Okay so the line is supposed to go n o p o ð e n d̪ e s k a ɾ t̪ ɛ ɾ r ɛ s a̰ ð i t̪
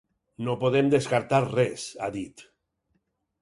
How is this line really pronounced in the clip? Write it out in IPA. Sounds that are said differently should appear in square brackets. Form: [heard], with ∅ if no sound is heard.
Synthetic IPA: n o p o ð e [m] d̪ e s k a ɾ t̪ [a] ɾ r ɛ s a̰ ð i t̪